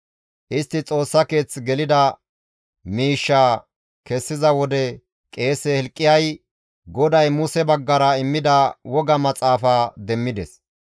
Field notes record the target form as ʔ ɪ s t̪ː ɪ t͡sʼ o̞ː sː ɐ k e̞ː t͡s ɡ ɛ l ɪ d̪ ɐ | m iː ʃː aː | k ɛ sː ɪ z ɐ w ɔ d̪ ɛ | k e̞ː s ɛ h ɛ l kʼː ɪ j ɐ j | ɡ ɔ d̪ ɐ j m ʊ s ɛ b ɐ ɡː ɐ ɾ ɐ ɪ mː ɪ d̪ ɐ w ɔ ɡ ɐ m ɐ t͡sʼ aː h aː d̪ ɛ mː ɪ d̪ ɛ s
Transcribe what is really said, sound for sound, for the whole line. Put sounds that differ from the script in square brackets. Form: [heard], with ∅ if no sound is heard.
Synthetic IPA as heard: ʔ ɪ s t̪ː ɪ t͡sʼ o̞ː sː ɐ k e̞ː t͡s ɡ ɛ l ɪ d̪ ɐ | m iː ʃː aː | k ɛ sː ɪ z ɐ w ɔ d̪ ɛ | [kʼ] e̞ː s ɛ h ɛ l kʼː ɪ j ɐ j | ɡ ɔ d̪ ɐ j m ʊ s ɛ b ɐ ɡː ɐ ɾ ɐ ɪ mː ɪ d̪ ɐ w ɔ ɡ ɐ m ɐ t͡sʼ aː [f] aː d̪ ɛ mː ɪ d̪ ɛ s